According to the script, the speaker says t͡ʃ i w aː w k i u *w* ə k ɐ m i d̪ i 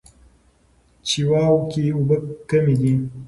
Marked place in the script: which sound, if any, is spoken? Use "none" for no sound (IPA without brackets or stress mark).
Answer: b